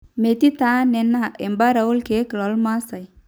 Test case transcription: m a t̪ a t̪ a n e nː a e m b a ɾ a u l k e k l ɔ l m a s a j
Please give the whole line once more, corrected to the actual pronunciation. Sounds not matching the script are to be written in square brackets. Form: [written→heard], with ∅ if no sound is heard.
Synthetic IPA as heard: m [a→e] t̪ [a→i] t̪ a n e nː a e m b a ɾ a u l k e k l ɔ l m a s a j